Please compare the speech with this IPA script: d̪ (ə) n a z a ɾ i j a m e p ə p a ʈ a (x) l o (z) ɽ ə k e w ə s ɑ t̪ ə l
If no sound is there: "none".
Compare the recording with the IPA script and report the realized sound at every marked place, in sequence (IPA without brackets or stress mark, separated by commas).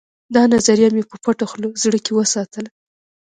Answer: ɑ, x, z